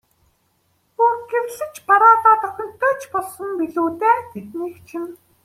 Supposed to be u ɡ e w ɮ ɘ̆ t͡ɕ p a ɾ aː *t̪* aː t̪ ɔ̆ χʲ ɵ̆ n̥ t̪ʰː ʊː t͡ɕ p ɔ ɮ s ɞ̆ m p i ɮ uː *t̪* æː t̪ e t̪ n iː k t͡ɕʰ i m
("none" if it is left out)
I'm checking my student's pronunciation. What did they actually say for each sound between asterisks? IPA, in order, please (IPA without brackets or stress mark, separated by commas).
t̪, t̪